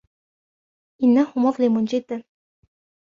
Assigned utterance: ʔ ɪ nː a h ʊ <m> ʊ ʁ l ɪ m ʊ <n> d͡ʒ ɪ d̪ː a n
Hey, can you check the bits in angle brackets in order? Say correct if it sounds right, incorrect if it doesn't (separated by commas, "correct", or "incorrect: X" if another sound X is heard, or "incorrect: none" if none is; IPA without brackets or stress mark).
correct, correct